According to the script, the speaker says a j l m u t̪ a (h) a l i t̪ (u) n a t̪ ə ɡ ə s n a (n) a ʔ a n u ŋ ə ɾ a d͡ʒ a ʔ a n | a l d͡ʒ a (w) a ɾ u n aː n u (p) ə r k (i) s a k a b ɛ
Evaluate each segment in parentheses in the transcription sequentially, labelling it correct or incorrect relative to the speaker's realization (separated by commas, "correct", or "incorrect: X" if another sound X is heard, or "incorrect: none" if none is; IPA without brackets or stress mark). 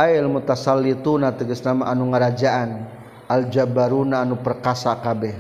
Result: incorrect: s, correct, incorrect: m, incorrect: b, correct, incorrect: a